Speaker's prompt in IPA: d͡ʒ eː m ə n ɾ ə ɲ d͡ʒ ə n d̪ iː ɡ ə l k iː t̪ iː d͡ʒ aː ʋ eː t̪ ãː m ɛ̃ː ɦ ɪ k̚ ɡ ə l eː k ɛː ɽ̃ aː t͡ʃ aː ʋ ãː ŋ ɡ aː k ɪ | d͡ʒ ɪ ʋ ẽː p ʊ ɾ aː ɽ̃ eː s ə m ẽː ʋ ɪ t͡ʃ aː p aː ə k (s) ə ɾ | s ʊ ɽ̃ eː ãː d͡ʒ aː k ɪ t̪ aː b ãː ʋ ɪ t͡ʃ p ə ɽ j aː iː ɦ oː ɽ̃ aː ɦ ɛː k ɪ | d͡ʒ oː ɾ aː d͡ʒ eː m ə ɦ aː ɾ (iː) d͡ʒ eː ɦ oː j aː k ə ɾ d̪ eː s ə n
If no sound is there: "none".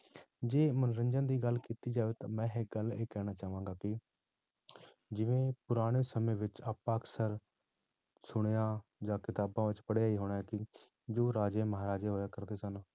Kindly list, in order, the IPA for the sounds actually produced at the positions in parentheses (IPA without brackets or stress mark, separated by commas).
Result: s, aː